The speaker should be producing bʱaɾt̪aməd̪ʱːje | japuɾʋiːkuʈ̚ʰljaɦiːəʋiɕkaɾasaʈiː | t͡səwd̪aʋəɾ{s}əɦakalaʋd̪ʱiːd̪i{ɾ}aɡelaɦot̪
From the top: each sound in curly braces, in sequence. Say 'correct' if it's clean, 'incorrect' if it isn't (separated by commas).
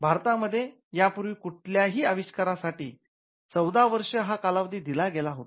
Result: incorrect, incorrect